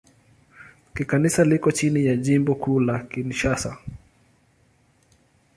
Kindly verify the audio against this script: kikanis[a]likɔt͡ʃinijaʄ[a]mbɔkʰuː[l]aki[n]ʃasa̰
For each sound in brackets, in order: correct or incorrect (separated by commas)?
correct, incorrect, correct, correct